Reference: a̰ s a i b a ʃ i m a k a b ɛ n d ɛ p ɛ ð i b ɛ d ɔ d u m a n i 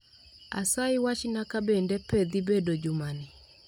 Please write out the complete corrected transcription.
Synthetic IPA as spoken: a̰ s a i w a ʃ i n a k a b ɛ n d ɛ p ɛ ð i b ɛ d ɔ d͡ʒ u m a n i

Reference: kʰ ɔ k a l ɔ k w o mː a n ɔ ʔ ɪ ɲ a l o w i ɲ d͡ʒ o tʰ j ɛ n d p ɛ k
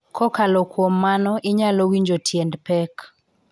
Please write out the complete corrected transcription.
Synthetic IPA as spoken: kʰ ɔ k a l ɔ k w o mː a n ɔ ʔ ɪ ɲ a l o w i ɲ d͡ʒ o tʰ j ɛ n d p ɛ k

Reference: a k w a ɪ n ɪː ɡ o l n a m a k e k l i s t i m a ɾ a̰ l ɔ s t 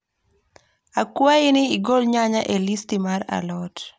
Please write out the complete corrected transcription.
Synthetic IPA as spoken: a k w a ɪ n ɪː ɡ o l ɲ a ɲ a ʔ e l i s t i m a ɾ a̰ l ɔ t

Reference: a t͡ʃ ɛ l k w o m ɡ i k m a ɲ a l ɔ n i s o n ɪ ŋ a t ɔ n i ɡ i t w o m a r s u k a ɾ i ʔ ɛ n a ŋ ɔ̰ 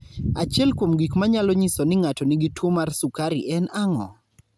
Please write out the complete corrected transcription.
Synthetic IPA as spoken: a t͡ʃ ɛ l k w o m ɡ i k m a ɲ a l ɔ ɲ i s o n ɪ ŋ a t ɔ n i ɡ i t w o m a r s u k a ɾ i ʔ ɛ n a ŋ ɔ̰

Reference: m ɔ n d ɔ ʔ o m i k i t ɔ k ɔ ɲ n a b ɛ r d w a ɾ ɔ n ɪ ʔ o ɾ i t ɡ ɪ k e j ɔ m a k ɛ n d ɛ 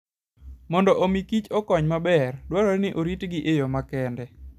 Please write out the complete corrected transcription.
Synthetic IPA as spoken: m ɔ n d ɔ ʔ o m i k i t͡ʃ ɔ k ɔ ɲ m a b ɛ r d w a ɾ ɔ n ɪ ʔ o ɾ i t ɡ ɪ ʔ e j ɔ m a k ɛ n d ɛ

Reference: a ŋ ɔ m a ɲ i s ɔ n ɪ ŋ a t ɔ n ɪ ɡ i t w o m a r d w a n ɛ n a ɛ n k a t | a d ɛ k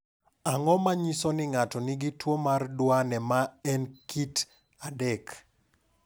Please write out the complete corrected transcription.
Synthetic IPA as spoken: a ŋ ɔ m a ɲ i s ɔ n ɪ ŋ a t ɔ n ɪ ɡ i t w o m a r d w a n ɛ m a ɛ n k i t | a d ɛ k

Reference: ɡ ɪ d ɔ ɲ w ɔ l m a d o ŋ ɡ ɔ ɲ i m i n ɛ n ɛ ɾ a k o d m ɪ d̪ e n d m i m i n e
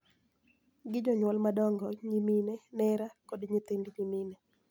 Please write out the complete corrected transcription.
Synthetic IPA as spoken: ɡ ɪ d͡ʒ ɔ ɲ w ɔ l m a d ɔ ŋ ɡ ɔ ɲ i m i n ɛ n ɛ ɾ a k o d ɲ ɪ t̪ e n d ɲ i m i n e

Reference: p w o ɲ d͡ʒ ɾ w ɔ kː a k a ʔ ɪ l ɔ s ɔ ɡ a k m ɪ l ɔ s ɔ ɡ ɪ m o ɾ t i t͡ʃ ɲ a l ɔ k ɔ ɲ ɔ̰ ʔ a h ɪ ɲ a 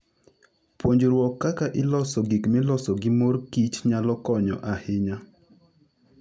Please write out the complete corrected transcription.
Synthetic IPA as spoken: p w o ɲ d͡ʒ ɾ w ɔ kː a k a ʔ ɪ l ɔ s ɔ ɡ i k m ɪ l ɔ s ɔ ɡ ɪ m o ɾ k i t͡ʃ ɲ a l ɔ k ɔ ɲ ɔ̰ ʔ a h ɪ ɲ a

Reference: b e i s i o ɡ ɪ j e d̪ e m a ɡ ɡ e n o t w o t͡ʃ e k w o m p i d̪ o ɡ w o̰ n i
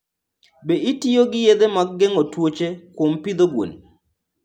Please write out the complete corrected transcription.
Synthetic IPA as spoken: b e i t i o ɡ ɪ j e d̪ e m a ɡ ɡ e ŋ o t w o t͡ʃ e k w o m p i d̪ o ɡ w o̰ n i

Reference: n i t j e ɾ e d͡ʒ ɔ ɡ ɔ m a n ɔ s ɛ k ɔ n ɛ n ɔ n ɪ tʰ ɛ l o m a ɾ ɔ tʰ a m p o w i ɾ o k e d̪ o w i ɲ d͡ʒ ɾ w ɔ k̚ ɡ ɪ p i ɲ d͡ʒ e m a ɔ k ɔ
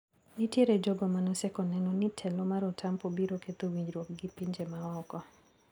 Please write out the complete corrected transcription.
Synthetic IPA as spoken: n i t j e ɾ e d͡ʒ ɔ ɡ ɔ m a n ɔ s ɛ k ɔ n ɛ n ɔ n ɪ tʰ ɛ l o m a ɾ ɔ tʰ a m p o b i ɾ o k e t̪ o w i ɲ d͡ʒ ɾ w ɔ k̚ ɡ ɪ p i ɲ d͡ʒ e m a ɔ k ɔ

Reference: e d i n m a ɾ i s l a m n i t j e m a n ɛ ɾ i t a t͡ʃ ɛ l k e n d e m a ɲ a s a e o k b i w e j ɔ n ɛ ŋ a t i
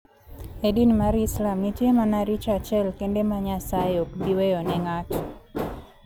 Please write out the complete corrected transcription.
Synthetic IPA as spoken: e d i n m a ɾ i s l a m n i t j e m a n a ɾ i t͡ʃ a t͡ʃ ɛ l k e n d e m a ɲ a s a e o k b i w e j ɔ n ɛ ŋ a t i

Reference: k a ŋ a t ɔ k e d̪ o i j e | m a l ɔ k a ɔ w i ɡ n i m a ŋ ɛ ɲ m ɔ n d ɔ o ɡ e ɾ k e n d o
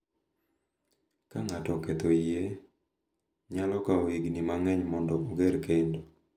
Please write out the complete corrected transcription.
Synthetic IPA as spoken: k a ŋ a t ɔ k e t̪ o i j e | ɲ a l ɔ k a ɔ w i ɡ n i m a ŋ ɛ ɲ m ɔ n d ɔ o ɡ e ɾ k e n d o

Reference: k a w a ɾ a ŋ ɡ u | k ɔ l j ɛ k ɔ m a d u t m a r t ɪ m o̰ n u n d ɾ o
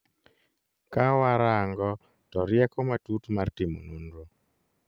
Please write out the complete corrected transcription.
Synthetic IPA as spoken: k a w a ɾ a ŋ ɡ ɔ | t ɔ ɾ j ɛ k ɔ m a t u t m a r t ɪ m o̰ n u n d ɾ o

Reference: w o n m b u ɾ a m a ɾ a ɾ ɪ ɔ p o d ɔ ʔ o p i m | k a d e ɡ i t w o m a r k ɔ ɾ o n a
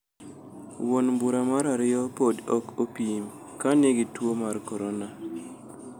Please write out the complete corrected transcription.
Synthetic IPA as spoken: w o n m b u ɾ a m a ɾ a ɾ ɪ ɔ p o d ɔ k o p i m | k a n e ɡ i t w o m a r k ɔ ɾ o n a

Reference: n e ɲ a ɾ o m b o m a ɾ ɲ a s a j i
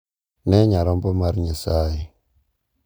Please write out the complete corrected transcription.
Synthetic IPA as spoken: n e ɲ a ɾ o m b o m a ɾ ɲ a s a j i

